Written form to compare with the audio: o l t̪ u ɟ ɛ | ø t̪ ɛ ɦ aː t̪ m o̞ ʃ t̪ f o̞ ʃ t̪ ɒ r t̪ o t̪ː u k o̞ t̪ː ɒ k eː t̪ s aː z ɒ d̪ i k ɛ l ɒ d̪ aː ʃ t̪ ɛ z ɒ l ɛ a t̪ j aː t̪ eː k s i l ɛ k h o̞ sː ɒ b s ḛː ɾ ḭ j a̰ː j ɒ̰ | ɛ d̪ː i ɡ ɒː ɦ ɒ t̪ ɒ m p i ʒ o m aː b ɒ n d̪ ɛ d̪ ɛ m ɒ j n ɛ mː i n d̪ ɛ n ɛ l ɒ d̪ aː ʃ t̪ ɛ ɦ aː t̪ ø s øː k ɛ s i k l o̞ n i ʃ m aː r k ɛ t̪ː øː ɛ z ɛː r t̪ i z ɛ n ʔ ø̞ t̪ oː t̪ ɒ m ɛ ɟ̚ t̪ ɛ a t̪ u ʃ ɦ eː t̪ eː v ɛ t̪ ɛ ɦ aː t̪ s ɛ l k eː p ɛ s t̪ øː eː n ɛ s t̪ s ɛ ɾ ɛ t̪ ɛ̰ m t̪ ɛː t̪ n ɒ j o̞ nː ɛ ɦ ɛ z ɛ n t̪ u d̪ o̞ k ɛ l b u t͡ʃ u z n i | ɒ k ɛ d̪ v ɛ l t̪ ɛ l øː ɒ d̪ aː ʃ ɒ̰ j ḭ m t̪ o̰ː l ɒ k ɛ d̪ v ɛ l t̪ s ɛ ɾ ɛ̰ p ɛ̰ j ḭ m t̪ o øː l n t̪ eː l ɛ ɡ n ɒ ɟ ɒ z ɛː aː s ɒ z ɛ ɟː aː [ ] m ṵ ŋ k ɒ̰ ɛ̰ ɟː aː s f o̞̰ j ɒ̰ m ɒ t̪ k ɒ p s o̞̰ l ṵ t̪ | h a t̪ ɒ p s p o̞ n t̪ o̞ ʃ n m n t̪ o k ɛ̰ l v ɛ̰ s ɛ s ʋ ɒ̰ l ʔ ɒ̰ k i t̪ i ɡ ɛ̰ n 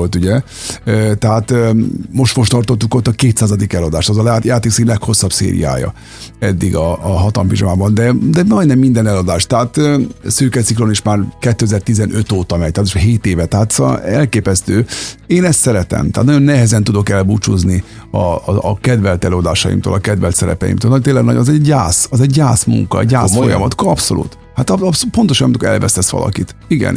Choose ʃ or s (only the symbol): s